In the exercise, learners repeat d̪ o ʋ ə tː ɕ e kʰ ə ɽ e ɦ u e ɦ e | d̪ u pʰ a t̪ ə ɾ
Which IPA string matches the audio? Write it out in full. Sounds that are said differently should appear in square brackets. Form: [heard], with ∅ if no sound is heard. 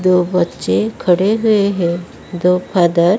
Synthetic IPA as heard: d̪ o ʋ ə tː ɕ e kʰ ə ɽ e ɦ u e ɦ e | d̪ [o] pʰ a [d̪] ə ɾ